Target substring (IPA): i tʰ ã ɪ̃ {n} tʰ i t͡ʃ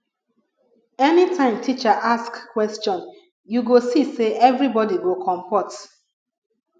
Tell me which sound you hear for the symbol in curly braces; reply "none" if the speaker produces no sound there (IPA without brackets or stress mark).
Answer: m